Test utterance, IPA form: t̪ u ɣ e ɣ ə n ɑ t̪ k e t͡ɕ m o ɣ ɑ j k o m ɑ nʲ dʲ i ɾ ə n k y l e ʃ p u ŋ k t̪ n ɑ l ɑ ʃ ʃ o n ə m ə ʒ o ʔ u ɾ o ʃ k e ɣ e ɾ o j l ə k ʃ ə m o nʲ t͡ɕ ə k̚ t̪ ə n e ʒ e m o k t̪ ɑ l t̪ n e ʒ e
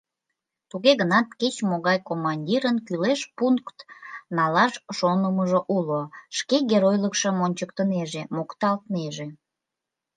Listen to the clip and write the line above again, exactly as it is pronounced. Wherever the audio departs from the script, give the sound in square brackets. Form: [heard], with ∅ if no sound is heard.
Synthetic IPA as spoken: t̪ u ɣ e ɣ ə n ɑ t̪ k e t͡ɕ m o ɣ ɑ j k o m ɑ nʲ dʲ i ɾ ə n k y l e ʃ p u ŋ k t̪ n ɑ l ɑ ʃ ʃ o n ə m ə ʒ o ʔ u [l] o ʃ k e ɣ e ɾ o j l ə k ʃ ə m o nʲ t͡ɕ ə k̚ t̪ ə n e ʒ e m o k t̪ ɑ l t̪ n e ʒ e

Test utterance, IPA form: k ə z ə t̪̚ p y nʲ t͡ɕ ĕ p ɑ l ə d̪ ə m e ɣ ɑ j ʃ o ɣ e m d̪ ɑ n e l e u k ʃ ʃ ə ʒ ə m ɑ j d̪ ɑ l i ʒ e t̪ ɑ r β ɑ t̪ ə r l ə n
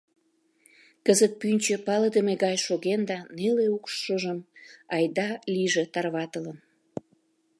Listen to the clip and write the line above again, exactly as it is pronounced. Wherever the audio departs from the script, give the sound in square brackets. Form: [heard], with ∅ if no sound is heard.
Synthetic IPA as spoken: k ə z ə t̪̚ p y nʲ t͡ɕ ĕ p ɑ l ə d̪ ə m e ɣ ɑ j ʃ o ɣ e [n] d̪ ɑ n e l e u k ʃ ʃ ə ʒ ə m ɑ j d̪ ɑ l i ʒ e t̪ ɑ r β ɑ t̪ ə [∅] l ə n

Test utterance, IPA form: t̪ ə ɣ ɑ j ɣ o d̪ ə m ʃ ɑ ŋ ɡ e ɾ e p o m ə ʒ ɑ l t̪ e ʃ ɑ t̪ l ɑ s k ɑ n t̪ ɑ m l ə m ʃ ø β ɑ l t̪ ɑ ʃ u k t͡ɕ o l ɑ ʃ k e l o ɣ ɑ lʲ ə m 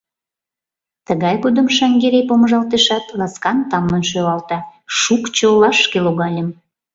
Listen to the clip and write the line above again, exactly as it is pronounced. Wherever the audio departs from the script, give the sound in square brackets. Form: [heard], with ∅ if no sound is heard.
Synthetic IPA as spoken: t̪ ə ɣ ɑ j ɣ o d̪ ə m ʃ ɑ ŋ ɡ e ɾ e p o m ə ʒ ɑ l t̪ e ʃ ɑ t̪ l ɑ s k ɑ n t̪ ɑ m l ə [n] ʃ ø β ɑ l t̪ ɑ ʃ u k t͡ɕ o l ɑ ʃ k e l o ɣ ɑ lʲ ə m

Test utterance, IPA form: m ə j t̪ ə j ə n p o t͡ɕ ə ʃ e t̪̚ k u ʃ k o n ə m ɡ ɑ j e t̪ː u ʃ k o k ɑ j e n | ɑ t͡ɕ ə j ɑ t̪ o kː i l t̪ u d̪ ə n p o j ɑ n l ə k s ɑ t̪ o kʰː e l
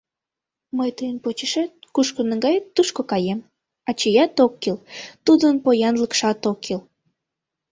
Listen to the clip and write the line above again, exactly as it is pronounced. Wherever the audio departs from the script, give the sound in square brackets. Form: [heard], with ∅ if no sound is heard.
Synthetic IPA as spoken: m ə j t̪ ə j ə n p o t͡ɕ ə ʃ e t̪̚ k u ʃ k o n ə [ŋ] ɡ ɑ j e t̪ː u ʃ k o k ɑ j e [m] | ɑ t͡ɕ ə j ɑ t̪ o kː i l t̪ u d̪ ə n p o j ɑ n l ə k [ʃ] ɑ t̪ o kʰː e l

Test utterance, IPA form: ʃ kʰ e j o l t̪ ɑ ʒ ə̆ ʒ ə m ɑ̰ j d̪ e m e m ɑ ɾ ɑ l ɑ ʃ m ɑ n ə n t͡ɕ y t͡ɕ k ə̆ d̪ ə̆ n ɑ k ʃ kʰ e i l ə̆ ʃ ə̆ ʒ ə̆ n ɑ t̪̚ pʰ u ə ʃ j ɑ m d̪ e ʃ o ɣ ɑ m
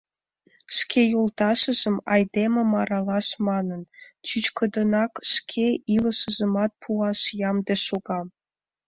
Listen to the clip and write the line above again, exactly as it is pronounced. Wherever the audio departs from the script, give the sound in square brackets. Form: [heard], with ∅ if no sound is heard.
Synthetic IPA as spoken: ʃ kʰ e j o l t̪ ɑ [ʃ] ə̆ ʒ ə m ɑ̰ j d̪ e m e m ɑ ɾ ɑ l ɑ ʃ m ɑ n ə n t͡ɕ y t͡ɕ k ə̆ d̪ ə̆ n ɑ k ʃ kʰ e i l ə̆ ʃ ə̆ ʒ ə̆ [m] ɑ t̪̚ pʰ u [ɑ] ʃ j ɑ m d̪ e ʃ o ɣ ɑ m

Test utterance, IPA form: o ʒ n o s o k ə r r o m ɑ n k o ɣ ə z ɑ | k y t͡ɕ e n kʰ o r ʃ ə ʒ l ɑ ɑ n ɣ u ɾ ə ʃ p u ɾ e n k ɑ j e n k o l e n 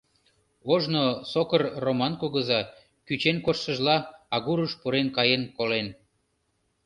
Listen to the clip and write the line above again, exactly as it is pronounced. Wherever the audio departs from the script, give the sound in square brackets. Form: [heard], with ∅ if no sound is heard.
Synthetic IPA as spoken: o ʒ n o s o k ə r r o m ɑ n k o ɣ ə z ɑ | k y t͡ɕ e n [k] o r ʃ ə ʒ l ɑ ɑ [∅] ɣ u ɾ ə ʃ p u ɾ e n k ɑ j e n k o l e n

